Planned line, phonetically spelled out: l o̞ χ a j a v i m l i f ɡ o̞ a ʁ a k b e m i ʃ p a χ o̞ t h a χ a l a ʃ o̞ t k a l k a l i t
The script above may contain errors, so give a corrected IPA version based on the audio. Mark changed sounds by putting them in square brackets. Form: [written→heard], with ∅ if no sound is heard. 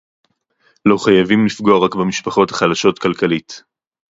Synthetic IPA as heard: l o̞ χ a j a v i m l i f ɡ o̞ a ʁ a k b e m i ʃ p a χ o̞ t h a χ a l a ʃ o̞ t k a l k a l i t